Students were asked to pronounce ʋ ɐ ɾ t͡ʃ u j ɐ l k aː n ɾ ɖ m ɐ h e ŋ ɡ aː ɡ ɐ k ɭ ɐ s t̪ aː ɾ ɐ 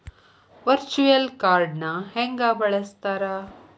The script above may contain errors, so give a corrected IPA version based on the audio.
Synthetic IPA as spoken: ʋ ɐ ɾ t͡ʃ u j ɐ l k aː ɾ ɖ n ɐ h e ŋ ɡ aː b ɐ ɭ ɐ s t̪ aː ɾ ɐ